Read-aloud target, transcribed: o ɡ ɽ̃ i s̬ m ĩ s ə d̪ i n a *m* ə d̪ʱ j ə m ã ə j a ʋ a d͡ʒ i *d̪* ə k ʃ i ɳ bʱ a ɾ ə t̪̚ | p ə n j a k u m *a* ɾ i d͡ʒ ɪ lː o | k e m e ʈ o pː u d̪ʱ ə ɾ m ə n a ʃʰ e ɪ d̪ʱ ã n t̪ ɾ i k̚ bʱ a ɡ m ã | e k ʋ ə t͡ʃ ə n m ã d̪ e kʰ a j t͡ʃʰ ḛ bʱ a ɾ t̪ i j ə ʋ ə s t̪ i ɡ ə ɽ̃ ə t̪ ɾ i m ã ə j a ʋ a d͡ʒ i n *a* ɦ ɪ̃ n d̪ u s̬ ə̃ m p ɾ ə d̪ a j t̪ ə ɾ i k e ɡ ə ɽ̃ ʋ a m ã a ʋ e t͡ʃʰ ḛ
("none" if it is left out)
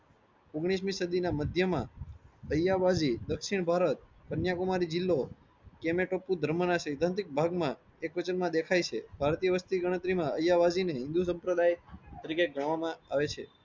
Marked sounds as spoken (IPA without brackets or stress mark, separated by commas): m, d̪, a, e